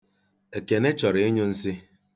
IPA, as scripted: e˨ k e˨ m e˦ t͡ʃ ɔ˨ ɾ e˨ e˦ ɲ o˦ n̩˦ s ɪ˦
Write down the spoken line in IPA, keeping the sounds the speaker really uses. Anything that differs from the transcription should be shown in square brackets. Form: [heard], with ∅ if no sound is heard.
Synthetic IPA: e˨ k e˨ [n] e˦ t͡ʃ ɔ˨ ɾ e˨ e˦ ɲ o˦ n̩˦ s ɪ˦

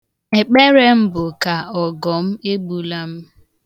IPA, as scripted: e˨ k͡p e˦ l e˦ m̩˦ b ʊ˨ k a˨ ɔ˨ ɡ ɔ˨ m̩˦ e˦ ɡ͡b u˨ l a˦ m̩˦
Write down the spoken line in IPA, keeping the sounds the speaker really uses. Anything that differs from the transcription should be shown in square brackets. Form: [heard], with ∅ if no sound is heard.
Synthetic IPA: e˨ k͡p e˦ [ɾ] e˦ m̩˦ b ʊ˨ k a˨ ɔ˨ ɡ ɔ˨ m̩˦ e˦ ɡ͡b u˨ l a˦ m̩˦

